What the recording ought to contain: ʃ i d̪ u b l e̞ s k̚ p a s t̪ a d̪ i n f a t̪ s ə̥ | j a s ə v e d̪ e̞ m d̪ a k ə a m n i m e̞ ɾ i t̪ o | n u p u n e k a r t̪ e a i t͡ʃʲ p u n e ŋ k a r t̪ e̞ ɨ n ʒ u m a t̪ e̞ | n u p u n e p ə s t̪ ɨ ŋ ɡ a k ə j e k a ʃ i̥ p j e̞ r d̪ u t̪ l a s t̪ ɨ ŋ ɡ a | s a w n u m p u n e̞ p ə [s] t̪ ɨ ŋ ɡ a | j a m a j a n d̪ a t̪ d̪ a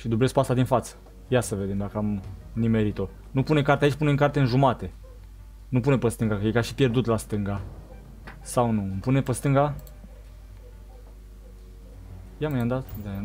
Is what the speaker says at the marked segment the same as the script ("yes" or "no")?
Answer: yes